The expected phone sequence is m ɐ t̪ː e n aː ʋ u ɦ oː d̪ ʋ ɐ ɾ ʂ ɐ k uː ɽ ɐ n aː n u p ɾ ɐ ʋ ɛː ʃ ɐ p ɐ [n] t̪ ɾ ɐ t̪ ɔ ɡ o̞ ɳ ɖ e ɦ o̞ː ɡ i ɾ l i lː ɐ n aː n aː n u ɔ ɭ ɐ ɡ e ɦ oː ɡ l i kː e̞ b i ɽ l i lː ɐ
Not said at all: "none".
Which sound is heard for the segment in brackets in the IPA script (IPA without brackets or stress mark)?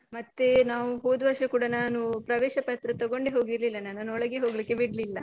none